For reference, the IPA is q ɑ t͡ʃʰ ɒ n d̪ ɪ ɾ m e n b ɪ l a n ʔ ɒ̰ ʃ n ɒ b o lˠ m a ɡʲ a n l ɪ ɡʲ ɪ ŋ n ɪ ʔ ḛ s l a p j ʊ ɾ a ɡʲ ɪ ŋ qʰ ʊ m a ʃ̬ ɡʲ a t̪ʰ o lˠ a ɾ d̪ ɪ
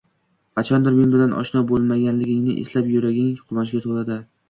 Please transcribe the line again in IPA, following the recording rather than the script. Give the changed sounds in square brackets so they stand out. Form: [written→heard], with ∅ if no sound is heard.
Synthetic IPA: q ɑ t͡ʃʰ ɒ n d̪ ɪ ɾ m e n b ɪ l a n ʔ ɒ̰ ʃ n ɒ b o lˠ m a ɡʲ a n l ɪ ɡʲ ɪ ŋ n ɪ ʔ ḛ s l a p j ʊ ɾ a ɡʲ ɪ ŋ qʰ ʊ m a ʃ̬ ɡʲ a t̪ʰ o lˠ a [ɾ→∅] d̪ ɪ